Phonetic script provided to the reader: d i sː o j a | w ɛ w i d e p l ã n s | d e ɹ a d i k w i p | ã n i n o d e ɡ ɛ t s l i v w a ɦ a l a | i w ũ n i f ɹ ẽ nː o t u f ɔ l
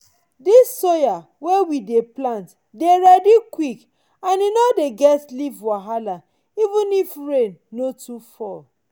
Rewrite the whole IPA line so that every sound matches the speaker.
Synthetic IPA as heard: d i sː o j a | w e w i d e p l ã n t | d e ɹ ɛ d i k w i k | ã n i n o d e ɡ ɛ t s l i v w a ɦ a l a | i v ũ n i f ɹ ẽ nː o t u f ɔ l